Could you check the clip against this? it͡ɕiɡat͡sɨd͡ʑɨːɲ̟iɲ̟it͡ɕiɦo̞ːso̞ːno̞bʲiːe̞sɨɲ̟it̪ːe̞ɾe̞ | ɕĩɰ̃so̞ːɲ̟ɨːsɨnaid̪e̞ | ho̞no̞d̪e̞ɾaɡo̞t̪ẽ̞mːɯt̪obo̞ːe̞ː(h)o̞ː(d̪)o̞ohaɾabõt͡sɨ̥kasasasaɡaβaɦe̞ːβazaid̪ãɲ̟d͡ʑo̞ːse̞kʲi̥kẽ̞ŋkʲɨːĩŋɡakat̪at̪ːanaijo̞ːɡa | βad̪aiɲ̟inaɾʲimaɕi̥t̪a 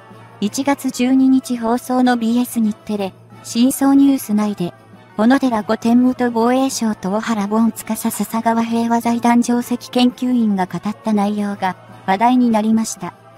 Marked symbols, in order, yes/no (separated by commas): no, no